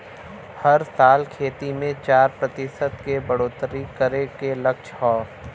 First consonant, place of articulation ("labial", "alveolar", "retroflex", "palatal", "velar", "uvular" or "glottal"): glottal